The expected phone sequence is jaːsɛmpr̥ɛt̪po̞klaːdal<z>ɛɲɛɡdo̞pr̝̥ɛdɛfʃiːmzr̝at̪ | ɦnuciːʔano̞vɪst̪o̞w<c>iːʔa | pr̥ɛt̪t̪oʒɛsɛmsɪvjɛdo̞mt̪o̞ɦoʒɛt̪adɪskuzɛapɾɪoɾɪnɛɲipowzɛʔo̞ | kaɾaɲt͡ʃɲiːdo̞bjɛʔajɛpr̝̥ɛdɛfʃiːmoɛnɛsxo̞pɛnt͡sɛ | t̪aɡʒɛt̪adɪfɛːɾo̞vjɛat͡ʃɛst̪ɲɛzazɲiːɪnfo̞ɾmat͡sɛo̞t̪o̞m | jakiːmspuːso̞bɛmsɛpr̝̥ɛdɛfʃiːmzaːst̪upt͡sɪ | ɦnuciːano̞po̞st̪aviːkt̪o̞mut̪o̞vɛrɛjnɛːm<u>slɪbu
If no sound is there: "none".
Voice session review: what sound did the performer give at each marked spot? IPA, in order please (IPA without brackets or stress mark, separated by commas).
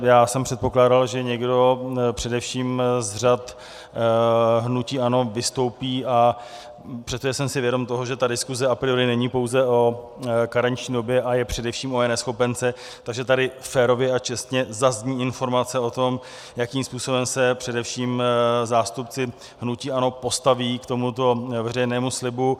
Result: ʒ, p, u